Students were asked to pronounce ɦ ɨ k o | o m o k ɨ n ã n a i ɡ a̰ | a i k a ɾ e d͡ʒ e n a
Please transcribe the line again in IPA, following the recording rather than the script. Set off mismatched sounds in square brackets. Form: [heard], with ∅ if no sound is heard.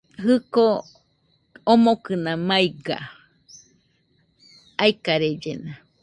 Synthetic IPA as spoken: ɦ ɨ k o | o m o k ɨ n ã [m] a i ɡ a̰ | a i k a ɾ e d͡ʒ e n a